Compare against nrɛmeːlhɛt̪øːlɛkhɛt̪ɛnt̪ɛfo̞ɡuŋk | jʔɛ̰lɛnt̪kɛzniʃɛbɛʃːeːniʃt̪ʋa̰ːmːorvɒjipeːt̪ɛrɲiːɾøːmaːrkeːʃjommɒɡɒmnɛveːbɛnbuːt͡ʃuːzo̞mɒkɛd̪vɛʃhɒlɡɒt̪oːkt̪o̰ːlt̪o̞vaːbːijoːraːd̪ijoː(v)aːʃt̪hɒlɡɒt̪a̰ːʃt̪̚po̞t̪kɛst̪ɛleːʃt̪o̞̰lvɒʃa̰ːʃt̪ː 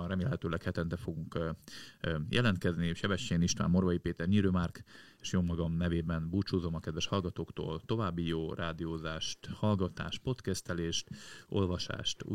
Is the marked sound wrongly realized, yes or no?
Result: yes